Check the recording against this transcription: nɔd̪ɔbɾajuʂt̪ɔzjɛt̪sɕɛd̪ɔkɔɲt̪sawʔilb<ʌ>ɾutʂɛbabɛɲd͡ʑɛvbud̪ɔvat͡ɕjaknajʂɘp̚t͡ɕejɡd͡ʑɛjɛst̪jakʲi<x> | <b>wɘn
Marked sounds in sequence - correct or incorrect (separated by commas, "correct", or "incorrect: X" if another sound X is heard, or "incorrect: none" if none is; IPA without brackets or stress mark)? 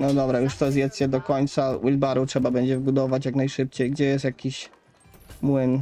incorrect: a, incorrect: ɕ, incorrect: m